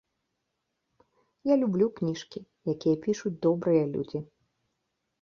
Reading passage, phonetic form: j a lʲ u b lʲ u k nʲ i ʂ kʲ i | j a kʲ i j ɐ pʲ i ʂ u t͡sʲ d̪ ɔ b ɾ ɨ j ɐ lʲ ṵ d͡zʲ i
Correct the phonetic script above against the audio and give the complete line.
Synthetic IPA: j a lʲ u b lʲ u k nʲ i ʂ kʲ i | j a kʲ i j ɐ pʲ i ʂ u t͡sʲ d̪ ɔ b ɾ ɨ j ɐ lʲ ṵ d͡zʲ i

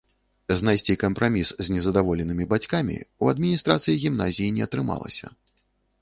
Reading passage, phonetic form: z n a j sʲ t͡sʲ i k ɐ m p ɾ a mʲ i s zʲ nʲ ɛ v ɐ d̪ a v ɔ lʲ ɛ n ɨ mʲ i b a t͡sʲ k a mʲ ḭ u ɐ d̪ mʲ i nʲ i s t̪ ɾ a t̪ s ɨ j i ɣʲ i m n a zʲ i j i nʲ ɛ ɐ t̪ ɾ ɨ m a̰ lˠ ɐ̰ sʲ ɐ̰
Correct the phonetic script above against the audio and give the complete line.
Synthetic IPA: z n a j sʲ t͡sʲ i k ɐ m p ɾ a mʲ i s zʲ nʲ ɛ z ɐ d̪ a v ɔ lʲ ɛ n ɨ mʲ i b a t͡sʲ k a mʲ ḭ u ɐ d̪ mʲ i nʲ i s t̪ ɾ a t̪ s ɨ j i ɣʲ i m n a zʲ i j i nʲ ɛ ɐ t̪ ɾ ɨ m a̰ lˠ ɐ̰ sʲ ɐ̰

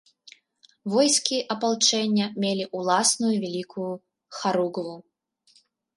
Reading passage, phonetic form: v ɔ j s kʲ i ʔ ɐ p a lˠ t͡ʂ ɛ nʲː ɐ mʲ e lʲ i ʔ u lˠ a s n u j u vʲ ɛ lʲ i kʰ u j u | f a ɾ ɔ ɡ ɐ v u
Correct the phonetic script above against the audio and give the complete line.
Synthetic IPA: v ɔ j s kʲ i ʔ ɐ p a lˠ t͡ʂ ɛ nʲː ɐ mʲ e lʲ i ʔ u lˠ a s n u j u vʲ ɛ lʲ i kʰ u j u | x a ɾ u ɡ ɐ v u

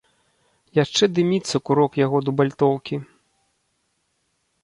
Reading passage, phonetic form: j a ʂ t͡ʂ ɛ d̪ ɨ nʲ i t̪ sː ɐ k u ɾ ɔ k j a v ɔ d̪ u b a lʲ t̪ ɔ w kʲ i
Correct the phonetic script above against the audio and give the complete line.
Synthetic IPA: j a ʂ t͡ʂ ɛ d̪ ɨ mʲ i t̪ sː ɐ k u ɾ ɔ k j a ɣ ɔ d̪ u b a lʲ t̪ ɔ w kʲ i

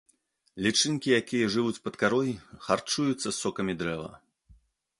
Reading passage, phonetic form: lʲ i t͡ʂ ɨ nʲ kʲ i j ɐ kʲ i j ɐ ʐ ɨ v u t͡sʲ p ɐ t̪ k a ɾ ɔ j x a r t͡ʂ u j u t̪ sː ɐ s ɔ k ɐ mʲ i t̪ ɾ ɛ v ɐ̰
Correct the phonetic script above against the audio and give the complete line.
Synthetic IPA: lʲ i t͡ʂ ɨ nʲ kʲ i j a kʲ i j ɐ ʐ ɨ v u t͡sʲ p ɐ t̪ k a ɾ ɔ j x a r t͡ʂ u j u t̪ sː ɐ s ɔ k ɐ mʲ i d̪ ɾ ɛ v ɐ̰

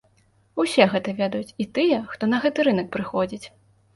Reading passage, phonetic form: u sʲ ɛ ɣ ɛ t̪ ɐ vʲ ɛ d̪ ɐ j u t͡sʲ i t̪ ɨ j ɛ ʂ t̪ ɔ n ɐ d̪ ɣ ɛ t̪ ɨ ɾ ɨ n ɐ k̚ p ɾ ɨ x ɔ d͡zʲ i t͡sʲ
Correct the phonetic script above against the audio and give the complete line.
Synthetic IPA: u sʲ ɛ ɣ ɛ t̪ ɐ vʲ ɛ d̪ ɐ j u t͡sʲ i t̪ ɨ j ɛ x t̪ ɔ n ɐ ɣ ɛ t̪ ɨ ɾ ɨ n ɐ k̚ p ɾ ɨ x ɔ d͡zʲ i t͡sʲ

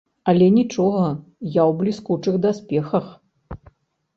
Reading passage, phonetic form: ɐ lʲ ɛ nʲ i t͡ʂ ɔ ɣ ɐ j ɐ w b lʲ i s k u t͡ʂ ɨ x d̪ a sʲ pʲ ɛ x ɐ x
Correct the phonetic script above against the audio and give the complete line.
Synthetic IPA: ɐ lʲ ɛ nʲ i t͡ʂ ɔ ɣ ɐ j a w b lʲ i s k u t͡ʂ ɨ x d̪ a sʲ pʲ ɛ x ɐ x

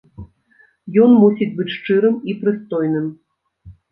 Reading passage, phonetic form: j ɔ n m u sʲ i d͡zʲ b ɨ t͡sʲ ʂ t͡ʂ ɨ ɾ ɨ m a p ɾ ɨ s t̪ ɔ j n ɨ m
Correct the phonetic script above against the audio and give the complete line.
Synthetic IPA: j ɔ n m u sʲ i d͡zʲ b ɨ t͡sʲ ʂ t͡ʂ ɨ ɾ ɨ m i p ɾ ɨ s t̪ ɔ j n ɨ m

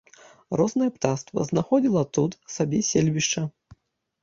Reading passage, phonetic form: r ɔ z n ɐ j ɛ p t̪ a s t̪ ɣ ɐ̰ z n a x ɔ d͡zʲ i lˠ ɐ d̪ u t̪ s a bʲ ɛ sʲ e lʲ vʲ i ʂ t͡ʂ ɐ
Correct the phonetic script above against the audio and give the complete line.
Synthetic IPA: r ɔ z n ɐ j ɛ p t̪ a s t̪ v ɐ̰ z n a x ɔ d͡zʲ i lˠ ɐ t̪ u t̪ s a bʲ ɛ sʲ e lʲ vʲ i ʂ t͡ʂ ɐ

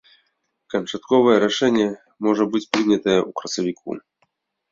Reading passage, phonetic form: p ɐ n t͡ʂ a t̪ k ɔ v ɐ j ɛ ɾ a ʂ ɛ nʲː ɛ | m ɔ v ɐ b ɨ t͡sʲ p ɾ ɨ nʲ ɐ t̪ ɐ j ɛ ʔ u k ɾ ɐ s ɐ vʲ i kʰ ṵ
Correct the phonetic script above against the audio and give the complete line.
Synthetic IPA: k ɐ n t͡ʂ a t̪ k ɔ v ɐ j ɛ ɾ a ʂ ɛ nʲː ɛ | m ɔ ʐ ɐ b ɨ t͡sʲ p ɾ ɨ nʲ ɐ t̪ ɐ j ɛ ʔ u k ɾ ɐ s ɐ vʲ i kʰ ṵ

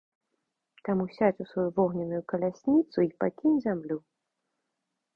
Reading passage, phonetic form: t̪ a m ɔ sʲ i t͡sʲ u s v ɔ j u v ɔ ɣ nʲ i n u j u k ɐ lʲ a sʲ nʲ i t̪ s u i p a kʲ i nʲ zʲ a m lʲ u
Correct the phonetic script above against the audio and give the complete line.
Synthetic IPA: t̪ a m u sʲ a t͡sʲ u s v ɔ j u v ɔ ɣ nʲ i n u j u k ɐ lʲ a sʲ nʲ i t̪ s u i p a kʲ i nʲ zʲ a m lʲ u

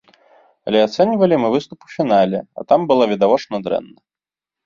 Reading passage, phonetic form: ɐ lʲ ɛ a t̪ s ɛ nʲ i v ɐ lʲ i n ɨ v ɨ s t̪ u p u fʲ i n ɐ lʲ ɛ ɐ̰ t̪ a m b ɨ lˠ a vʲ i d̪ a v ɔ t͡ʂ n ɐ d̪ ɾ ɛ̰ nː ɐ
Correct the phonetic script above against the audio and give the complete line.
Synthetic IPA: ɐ lʲ ɛ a t̪ s ɛ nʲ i v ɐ lʲ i m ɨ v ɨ s t̪ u p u fʲ i n a lʲ ɛ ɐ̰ t̪ a m b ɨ lˠ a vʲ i d̪ a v ɔ t͡ʂ n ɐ d̪ ɾ ɛ̰ nː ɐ

